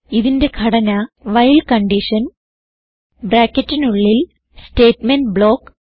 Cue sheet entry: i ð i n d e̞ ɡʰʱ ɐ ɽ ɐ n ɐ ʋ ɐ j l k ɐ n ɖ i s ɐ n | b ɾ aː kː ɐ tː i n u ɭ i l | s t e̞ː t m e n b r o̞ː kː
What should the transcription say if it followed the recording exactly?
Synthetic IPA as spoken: i ð i n d e̞ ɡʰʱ ɐ ɽ ɐ n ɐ ʋ ɐ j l k ɐ ɳ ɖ i ʂ ɐ n | b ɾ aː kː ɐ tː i n u ɭː i l | s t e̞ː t m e n b ɭ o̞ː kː